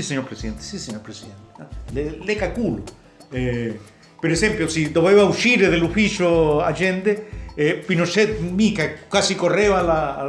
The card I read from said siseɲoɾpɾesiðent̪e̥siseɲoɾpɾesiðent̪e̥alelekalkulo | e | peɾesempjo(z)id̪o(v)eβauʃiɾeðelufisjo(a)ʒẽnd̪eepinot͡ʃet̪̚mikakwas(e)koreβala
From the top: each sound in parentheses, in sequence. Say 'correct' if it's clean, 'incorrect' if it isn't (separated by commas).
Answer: incorrect, incorrect, correct, incorrect